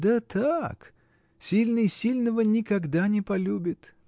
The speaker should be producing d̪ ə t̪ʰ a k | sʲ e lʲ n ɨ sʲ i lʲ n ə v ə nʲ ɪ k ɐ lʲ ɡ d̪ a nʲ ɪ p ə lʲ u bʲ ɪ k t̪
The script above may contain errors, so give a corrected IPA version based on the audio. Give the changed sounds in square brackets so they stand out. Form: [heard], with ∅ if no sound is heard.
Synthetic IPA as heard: d̪ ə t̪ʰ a k | sʲ [i] lʲ n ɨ sʲ i lʲ n ə v ə nʲ ɪ k ɐ [∅] ɡ d̪ a nʲ ɪ p [ɐ] lʲ u bʲ ɪ [∅] t̪